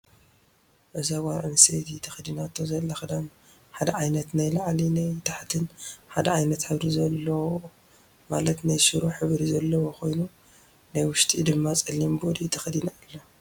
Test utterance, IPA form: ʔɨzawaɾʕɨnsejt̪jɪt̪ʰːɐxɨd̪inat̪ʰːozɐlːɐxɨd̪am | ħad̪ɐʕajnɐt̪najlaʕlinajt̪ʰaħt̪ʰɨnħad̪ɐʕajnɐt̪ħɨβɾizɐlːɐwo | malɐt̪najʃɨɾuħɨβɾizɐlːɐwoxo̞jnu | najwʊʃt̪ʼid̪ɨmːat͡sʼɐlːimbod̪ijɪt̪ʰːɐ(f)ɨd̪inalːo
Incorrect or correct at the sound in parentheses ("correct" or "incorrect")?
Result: incorrect